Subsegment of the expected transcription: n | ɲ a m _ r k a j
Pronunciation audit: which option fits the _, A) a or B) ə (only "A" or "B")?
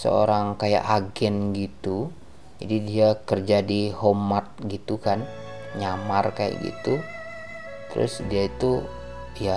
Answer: A